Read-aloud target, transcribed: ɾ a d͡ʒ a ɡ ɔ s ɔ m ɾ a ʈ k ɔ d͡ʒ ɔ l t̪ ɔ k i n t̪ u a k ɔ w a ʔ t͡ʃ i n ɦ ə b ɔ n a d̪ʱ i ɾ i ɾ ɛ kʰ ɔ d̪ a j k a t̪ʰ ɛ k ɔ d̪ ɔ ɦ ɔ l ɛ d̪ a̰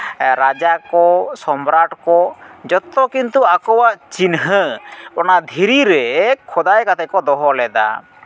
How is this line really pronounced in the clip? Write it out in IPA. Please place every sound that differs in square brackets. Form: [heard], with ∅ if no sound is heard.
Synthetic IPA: ɾ a d͡ʒ a [k] ɔ s ɔ m ɾ a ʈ k ɔ d͡ʒ ɔ [∅] t̪ ɔ k i n t̪ u a k ɔ w a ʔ t͡ʃ i n ɦ ə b ɔ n a d̪ʱ i ɾ i ɾ ɛ kʰ ɔ d̪ a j k a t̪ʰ ɛ k ɔ d̪ ɔ ɦ ɔ l ɛ d̪ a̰